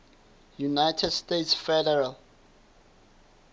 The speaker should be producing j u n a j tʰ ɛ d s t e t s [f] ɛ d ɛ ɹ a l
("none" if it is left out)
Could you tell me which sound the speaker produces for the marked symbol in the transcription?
f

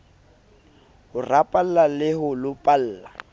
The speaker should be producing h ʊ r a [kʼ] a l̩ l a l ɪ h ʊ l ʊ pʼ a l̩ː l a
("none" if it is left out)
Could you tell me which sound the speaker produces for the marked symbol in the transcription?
pʼ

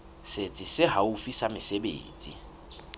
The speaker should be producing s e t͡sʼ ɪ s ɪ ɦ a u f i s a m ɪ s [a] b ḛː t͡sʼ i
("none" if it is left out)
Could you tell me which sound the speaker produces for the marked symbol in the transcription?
e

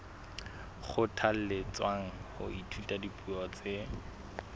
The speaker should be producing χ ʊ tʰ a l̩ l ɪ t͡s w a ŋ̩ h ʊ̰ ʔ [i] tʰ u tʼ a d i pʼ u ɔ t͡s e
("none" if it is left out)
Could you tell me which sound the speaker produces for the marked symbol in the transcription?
i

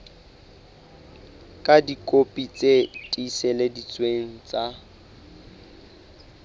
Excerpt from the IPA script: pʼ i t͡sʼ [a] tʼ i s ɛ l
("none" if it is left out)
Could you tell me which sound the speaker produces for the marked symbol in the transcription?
e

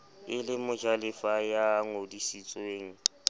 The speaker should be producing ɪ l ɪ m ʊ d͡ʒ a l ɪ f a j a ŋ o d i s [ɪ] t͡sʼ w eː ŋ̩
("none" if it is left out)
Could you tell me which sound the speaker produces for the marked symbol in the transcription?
i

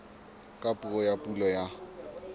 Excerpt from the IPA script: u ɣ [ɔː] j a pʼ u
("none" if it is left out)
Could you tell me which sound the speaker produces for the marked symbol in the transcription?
ɔ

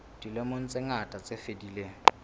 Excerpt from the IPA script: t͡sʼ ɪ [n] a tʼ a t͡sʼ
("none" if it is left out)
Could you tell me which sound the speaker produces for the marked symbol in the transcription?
ŋ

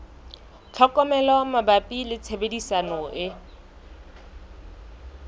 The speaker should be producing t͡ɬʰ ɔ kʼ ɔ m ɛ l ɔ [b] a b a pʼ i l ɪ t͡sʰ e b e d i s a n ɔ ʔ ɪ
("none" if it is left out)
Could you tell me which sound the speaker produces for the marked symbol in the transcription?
m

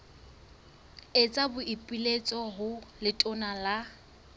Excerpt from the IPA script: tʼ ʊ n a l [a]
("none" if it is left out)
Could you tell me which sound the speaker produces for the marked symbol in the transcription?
a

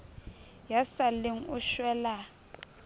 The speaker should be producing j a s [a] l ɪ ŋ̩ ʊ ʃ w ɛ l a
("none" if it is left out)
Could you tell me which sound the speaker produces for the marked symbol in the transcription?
a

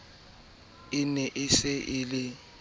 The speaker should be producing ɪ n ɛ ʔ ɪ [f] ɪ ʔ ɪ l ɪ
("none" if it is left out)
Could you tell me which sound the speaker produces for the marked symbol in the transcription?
s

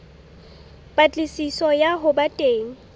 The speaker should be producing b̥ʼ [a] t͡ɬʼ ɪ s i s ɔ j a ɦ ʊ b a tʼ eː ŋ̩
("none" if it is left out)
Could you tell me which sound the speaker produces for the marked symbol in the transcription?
a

